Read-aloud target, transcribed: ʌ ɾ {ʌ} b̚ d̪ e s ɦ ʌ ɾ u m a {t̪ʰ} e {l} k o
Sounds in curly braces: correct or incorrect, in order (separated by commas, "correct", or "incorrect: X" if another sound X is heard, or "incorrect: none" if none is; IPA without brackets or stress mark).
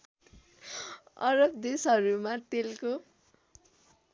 correct, incorrect: t̪, correct